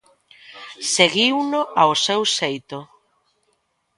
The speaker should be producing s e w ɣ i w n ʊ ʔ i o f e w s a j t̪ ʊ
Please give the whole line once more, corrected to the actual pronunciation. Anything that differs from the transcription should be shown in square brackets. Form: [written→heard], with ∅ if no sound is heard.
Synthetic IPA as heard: s e [w→∅] ɣ i w n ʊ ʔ [i→a] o [f→s] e w s [a→e] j t̪ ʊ